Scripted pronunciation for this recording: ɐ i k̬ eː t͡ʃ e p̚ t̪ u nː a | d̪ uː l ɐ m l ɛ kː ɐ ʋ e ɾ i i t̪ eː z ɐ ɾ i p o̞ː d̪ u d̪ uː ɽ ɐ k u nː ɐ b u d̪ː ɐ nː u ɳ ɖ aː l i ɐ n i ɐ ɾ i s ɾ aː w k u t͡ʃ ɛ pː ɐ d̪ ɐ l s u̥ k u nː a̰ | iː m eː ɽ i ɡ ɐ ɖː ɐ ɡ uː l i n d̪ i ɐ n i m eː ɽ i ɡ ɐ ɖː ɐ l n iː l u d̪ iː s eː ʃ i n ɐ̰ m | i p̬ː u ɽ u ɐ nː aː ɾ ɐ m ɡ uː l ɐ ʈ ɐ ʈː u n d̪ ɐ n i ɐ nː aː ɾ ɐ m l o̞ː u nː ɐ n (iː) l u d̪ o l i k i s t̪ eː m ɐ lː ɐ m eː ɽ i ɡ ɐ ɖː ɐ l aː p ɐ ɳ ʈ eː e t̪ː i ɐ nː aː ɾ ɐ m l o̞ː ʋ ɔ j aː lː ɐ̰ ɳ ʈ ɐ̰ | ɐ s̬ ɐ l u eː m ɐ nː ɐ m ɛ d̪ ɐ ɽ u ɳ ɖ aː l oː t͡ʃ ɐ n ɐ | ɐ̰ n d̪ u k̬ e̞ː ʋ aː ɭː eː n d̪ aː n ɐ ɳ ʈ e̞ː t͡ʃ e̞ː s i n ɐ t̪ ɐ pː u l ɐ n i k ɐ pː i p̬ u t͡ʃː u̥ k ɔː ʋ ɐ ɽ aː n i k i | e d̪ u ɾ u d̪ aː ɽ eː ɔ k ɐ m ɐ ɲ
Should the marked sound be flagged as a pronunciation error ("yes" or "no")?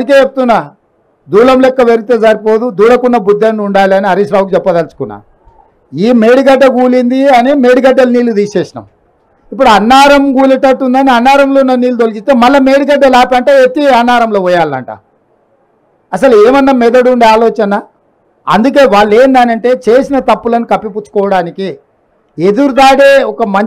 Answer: no